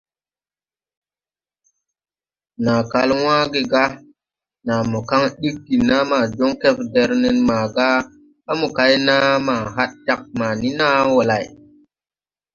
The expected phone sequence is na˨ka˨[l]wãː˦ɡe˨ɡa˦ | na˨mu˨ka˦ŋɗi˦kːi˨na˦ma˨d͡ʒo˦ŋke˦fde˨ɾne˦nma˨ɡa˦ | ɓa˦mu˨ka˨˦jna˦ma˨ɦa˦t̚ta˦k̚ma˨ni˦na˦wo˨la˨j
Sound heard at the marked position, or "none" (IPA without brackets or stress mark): l